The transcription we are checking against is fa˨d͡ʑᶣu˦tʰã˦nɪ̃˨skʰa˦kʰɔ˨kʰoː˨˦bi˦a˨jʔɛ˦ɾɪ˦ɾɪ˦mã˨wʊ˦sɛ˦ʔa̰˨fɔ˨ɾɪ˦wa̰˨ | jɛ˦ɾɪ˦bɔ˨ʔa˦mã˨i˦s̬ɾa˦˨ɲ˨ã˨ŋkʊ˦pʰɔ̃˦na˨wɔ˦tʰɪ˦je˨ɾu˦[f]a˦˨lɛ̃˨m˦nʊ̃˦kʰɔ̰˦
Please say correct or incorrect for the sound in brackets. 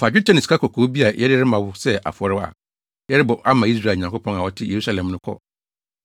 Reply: incorrect